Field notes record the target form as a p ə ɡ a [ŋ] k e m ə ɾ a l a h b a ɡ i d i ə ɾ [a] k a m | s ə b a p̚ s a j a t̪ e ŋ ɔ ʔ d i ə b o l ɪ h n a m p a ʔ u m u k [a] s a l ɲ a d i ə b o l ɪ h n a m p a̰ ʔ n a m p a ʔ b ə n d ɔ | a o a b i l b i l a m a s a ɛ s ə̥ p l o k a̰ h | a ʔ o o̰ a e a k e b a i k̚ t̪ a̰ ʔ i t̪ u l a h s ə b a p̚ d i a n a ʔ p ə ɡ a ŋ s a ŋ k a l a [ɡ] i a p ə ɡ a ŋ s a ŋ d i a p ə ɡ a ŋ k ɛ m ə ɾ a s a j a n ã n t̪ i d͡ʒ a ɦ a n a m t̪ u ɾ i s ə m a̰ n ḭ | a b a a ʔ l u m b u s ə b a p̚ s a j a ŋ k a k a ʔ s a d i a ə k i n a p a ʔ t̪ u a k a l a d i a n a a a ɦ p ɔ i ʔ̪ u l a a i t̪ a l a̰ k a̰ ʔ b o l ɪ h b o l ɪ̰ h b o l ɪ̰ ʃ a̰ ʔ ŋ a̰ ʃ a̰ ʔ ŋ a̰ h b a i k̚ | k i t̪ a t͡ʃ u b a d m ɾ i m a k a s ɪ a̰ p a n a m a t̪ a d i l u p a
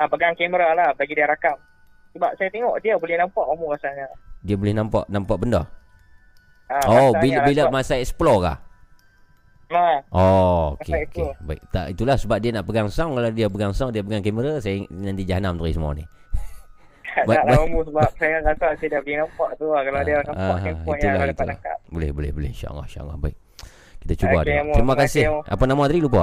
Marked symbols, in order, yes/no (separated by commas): yes, yes, yes, no